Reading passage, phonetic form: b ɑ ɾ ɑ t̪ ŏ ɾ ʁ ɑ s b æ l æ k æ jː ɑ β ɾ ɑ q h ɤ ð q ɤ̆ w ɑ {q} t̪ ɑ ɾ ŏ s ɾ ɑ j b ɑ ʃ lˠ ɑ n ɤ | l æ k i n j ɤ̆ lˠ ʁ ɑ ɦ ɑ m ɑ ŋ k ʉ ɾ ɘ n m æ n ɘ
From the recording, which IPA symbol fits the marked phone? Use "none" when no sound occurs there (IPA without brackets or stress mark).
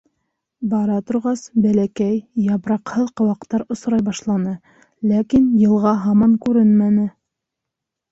q